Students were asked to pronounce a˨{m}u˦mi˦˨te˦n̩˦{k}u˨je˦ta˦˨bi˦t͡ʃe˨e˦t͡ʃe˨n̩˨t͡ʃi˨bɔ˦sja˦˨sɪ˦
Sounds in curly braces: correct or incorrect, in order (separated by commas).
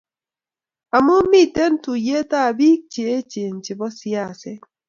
correct, incorrect